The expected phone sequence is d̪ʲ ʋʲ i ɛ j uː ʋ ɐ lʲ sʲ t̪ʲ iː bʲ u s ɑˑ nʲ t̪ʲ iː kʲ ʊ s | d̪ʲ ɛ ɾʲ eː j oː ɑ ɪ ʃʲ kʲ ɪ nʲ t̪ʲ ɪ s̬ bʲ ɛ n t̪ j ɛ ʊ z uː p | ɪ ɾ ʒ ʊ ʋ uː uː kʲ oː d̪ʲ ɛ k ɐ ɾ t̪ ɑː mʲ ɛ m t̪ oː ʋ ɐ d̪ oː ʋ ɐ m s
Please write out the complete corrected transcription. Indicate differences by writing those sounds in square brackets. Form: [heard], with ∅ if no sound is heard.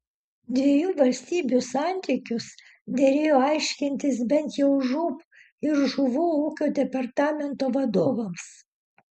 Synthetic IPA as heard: d̪ʲ ʋʲ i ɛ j uː ʋ ɐ lʲ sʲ t̪ʲ iː bʲ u s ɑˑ nʲ t̪ʲ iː kʲ ʊ s | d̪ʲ ɛ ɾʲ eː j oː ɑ ɪ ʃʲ kʲ ɪ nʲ t̪ʲ ɪ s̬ bʲ ɛ n t̪ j ɛ ʊ [ʒ] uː p | ɪ ɾ ʒ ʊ ʋ uː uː kʲ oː d̪ʲ ɛ [p] ɐ ɾ t̪ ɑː mʲ ɛ [n] t̪ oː ʋ ɐ d̪ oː ʋ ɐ m s